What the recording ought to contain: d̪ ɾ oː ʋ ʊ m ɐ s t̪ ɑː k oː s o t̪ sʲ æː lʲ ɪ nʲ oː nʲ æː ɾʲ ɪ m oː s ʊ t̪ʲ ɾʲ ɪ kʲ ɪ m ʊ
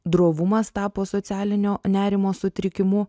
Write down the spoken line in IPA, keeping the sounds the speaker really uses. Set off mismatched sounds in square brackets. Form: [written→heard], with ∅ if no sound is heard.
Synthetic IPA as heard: d̪ ɾ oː ʋ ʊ m ɐ s t̪ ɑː [k→p] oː s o t̪ sʲ æː lʲ ɪ nʲ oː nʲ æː ɾʲ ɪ m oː s ʊ t̪ʲ ɾʲ ɪ kʲ ɪ m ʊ